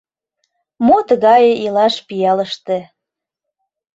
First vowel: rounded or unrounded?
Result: rounded